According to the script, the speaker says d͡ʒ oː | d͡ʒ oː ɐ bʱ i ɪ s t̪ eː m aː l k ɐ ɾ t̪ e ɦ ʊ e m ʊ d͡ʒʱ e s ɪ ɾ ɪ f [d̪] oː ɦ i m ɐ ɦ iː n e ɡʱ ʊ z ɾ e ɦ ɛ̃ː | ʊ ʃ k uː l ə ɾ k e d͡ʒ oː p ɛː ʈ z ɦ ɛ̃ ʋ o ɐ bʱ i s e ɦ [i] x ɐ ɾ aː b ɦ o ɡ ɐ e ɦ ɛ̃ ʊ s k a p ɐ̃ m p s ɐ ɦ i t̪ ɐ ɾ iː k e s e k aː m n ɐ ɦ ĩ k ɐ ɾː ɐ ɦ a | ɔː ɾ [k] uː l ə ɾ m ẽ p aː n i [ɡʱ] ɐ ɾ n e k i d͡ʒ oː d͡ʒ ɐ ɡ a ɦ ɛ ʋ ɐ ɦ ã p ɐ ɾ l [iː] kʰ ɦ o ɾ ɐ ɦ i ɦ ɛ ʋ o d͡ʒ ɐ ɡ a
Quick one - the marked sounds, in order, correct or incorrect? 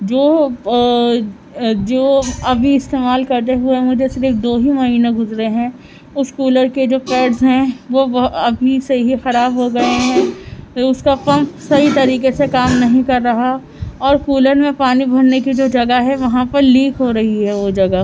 correct, correct, correct, incorrect: bʱ, correct

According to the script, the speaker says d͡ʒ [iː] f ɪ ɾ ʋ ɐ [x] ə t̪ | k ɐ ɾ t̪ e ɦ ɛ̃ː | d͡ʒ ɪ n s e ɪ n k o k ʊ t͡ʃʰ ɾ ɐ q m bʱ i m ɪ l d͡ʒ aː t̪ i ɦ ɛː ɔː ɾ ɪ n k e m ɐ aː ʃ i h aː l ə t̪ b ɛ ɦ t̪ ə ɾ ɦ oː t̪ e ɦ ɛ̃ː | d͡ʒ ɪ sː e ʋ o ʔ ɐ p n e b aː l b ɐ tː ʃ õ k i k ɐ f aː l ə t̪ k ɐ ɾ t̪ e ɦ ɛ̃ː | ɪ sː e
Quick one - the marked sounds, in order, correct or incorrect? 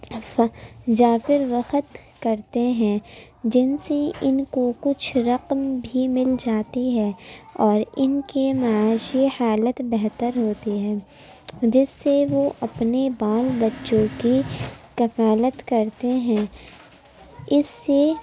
incorrect: aː, correct

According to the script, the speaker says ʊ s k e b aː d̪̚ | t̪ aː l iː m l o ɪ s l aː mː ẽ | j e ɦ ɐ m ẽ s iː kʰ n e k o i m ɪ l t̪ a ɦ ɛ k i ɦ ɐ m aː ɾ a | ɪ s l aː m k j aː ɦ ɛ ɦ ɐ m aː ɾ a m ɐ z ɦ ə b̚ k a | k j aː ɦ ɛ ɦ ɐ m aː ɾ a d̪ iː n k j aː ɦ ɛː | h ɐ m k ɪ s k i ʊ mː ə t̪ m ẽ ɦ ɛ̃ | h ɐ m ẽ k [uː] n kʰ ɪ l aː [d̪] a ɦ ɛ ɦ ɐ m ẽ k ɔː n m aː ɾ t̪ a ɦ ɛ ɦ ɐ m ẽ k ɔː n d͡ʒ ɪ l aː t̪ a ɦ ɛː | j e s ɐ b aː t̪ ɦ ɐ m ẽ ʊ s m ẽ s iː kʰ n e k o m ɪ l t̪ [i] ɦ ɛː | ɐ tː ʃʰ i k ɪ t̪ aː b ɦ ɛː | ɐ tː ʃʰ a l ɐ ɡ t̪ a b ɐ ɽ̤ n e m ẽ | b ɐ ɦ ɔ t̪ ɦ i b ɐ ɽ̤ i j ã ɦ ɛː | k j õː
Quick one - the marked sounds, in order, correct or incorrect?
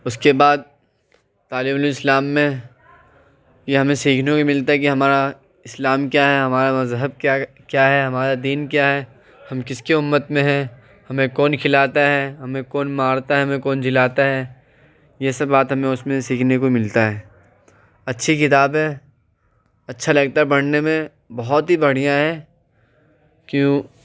incorrect: ɔː, incorrect: t̪, incorrect: a

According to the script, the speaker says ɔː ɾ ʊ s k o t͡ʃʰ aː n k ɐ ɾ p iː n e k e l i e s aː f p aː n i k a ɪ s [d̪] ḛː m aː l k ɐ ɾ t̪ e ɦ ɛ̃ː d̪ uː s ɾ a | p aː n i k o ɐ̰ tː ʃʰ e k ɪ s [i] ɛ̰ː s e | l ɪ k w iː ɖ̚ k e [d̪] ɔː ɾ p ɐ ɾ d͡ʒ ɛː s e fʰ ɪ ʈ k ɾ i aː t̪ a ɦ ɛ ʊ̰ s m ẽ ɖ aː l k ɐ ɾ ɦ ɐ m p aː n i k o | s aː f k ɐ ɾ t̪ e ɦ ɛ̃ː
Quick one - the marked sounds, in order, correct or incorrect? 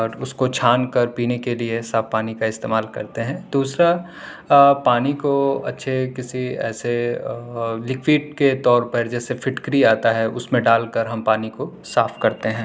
incorrect: t̪, correct, incorrect: t̪

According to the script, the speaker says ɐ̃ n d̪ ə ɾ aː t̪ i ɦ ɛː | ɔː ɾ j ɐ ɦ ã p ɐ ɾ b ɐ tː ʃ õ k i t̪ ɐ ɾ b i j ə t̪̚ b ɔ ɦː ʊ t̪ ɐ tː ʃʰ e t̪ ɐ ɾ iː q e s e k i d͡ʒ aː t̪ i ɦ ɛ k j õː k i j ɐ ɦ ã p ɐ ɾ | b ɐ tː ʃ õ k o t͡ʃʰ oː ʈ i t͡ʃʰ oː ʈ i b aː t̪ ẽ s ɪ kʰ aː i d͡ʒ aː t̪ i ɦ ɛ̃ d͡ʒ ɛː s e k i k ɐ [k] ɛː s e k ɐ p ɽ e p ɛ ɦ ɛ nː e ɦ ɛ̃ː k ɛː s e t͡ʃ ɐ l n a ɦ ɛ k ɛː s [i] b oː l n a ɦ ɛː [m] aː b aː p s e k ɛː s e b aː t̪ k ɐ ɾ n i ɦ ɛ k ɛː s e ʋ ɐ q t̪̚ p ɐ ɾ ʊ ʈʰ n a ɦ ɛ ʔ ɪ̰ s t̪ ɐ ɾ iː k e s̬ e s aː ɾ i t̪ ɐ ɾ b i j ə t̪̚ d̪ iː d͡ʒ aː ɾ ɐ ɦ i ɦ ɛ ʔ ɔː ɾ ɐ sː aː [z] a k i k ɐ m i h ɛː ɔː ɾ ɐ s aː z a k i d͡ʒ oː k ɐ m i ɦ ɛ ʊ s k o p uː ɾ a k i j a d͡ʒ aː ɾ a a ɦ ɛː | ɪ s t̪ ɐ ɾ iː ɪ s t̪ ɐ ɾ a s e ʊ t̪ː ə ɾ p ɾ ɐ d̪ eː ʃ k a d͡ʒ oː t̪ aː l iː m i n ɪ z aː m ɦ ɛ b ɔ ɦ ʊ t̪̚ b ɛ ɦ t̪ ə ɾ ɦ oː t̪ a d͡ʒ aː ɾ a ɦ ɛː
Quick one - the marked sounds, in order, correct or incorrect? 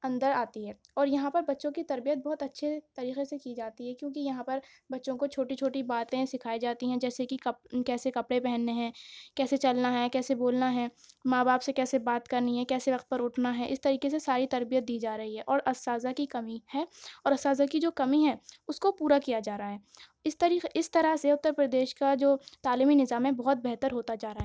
correct, incorrect: e, correct, correct

